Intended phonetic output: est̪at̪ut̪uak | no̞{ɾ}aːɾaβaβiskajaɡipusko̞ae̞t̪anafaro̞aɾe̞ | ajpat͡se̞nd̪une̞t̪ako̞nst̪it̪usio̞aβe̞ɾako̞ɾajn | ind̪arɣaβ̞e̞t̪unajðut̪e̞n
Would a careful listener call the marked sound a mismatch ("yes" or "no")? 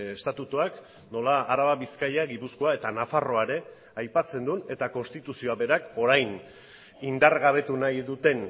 yes